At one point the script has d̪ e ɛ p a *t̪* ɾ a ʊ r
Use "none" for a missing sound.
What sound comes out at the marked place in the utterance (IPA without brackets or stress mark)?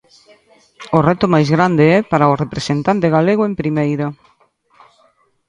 none